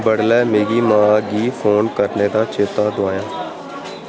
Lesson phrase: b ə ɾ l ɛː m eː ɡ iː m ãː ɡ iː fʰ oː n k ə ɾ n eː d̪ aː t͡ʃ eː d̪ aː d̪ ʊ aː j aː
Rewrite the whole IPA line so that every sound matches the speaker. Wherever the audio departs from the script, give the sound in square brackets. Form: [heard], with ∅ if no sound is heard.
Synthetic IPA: b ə [ɽ] l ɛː m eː ɡ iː m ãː ɡ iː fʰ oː n k ə ɾ n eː d̪ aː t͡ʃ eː [t̪] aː d̪ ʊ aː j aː